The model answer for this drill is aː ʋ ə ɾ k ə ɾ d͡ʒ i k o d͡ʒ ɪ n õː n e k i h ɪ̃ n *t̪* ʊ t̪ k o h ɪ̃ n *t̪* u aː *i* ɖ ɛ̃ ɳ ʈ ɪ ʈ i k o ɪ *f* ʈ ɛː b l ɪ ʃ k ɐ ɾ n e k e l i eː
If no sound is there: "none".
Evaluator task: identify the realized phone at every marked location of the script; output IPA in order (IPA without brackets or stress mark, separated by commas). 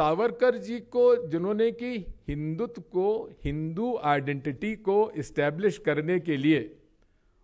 d̪, d̪, ɪ, s